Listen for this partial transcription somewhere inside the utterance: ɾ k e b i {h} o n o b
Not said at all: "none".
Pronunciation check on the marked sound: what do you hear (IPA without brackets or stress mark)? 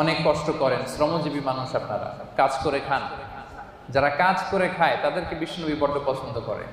ʃ